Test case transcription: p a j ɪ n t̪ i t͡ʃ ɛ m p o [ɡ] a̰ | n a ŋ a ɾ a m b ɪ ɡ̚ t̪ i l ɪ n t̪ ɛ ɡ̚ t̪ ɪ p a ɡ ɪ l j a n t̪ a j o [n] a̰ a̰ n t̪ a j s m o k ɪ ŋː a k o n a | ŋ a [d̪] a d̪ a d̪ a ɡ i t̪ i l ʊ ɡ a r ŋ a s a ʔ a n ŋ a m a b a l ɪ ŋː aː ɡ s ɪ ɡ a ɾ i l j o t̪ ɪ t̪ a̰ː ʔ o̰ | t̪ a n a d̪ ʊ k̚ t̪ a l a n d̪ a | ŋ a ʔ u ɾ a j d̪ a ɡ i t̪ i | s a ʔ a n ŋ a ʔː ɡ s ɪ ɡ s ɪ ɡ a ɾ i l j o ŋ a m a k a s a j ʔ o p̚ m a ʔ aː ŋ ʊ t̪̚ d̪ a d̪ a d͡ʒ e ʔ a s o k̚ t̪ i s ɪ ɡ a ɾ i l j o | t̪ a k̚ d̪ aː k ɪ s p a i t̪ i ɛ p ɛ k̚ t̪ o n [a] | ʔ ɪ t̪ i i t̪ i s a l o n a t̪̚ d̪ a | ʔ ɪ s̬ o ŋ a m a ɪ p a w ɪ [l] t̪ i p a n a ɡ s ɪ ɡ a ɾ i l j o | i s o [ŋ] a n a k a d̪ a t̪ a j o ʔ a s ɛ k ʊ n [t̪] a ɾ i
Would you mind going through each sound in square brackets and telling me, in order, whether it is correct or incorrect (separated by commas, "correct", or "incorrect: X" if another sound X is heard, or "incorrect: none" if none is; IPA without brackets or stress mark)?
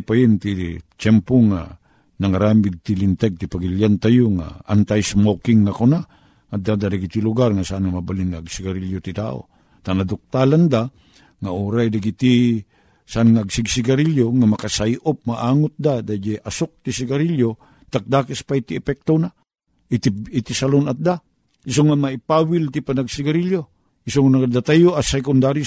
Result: incorrect: ŋ, incorrect: ŋ, correct, correct, correct, correct, incorrect: d̪